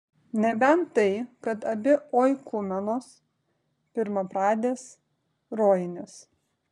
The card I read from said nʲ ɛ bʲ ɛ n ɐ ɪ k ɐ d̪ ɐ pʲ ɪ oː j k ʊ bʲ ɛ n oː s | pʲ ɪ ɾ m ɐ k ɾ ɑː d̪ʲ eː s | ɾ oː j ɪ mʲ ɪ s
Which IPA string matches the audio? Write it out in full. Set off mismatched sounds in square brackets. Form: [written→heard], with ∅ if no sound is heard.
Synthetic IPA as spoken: nʲ ɛ bʲ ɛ n ɐ ɪ k ɐ [d̪→t̪] ɐ [pʲ→bʲ] ɪ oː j k ʊ [bʲ→mʲ] ɛ n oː s | pʲ ɪ ɾ m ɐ [k→p] ɾ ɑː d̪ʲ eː s | ɾ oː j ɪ [mʲ→nʲ] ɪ s